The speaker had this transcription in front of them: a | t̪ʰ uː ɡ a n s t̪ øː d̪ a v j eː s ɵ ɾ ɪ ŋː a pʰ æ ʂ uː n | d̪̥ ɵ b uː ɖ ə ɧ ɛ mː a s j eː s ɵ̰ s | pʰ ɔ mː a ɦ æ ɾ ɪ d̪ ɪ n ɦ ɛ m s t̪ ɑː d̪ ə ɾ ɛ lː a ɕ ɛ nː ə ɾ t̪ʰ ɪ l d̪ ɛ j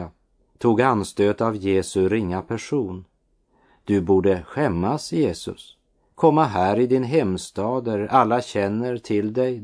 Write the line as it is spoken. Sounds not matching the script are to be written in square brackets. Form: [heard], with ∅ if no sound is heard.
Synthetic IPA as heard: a | t̪ʰ uː ɡ a n s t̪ øː [t̪] a v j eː s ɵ ɾ ɪ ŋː a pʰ æ ʂ uː n | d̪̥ ɵ b uː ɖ ə ɧ ɛ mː a s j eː s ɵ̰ s | [kʰ] ɔ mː a ɦ [æː] ɾ ɪ d̪ ɪ n ɦ ɛ m s t̪ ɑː d̪ ə ɾ [a] lː a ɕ ɛ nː ə ɾ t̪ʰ ɪ l d̪ ɛ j